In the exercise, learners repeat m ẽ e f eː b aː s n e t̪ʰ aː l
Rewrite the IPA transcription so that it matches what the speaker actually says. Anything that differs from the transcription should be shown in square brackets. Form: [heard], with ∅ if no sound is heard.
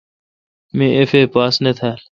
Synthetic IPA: m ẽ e f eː [p] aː s n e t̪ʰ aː l